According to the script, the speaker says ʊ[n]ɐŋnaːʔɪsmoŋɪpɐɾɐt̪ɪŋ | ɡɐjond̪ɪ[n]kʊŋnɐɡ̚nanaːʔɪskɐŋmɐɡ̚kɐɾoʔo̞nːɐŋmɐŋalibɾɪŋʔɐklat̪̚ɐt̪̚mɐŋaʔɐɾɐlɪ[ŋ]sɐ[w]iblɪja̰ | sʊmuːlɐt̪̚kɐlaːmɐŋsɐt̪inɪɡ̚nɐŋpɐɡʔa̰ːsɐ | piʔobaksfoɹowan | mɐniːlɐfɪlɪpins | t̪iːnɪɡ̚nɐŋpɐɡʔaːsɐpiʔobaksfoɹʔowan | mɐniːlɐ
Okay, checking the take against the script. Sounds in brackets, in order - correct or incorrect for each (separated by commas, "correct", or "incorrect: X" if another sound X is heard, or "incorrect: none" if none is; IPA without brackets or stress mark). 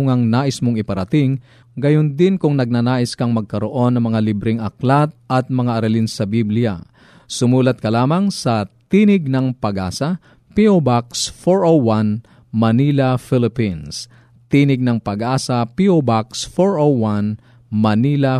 incorrect: ŋ, correct, incorrect: n, incorrect: b